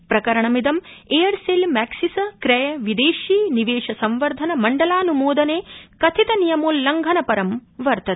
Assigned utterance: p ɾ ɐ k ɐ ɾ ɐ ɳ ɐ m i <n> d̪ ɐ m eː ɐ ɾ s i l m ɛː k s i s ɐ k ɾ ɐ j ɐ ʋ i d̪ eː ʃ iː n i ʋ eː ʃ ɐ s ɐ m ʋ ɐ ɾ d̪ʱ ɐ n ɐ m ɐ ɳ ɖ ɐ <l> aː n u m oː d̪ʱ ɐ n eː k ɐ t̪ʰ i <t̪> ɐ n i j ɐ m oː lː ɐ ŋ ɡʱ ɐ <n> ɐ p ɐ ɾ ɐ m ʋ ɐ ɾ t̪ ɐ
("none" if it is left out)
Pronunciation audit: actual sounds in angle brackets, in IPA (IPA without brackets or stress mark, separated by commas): none, l, t̪, n